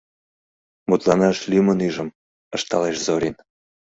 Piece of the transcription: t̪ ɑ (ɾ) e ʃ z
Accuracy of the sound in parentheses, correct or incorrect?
incorrect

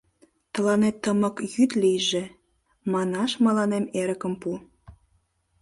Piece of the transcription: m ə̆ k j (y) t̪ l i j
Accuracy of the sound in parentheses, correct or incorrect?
correct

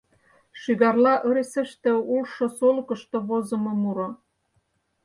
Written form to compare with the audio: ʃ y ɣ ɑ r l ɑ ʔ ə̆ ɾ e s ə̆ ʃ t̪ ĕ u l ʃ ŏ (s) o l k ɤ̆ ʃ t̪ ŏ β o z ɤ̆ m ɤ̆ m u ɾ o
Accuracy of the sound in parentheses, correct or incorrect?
correct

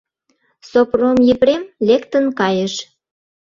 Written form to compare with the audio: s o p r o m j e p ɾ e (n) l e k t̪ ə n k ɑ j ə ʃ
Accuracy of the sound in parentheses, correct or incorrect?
incorrect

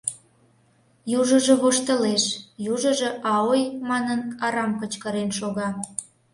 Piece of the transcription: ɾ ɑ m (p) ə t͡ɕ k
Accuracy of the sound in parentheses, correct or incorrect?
incorrect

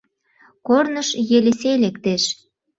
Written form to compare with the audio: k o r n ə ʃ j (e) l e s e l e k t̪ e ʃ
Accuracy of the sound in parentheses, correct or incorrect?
correct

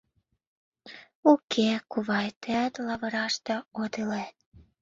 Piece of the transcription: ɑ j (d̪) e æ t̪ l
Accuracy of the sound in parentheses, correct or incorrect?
incorrect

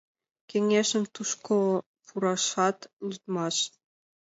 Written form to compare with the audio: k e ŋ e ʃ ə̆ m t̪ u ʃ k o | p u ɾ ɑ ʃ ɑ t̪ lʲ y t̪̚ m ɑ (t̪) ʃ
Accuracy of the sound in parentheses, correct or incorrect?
incorrect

